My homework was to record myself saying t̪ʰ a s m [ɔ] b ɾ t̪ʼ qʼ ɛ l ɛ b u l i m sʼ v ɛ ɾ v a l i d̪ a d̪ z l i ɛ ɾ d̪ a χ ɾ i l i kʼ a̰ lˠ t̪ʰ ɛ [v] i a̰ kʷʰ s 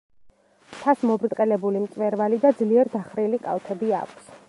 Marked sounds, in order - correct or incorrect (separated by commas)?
correct, incorrect